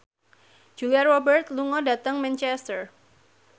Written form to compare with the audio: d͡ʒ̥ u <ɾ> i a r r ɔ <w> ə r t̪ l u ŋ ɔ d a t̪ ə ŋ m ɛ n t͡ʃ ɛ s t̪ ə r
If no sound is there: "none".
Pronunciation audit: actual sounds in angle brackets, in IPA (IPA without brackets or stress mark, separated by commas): l, b